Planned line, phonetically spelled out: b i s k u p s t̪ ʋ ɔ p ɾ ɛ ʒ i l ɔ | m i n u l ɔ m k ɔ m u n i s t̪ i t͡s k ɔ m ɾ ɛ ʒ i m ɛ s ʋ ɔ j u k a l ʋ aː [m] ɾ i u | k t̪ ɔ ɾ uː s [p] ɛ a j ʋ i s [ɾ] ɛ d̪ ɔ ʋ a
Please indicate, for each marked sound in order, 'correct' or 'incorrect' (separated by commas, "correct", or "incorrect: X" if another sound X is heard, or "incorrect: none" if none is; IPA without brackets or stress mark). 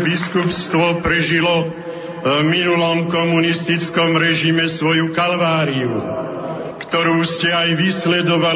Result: incorrect: none, incorrect: c, incorrect: l